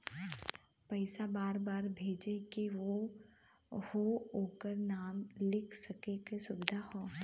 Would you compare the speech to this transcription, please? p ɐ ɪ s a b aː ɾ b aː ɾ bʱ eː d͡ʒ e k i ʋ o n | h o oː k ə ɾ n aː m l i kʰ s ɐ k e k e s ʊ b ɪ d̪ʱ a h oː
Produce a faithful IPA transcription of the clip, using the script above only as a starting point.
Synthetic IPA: p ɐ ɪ s a b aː ɾ b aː ɾ bʱ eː d͡ʒ e k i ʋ o | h o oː k ə ɾ n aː m l ɪ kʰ s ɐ k e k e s ʊ b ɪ d̪ʱ a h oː